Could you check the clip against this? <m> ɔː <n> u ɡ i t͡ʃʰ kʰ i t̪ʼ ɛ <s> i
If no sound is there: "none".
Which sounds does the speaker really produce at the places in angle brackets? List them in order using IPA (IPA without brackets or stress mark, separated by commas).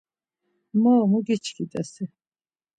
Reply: m, m, s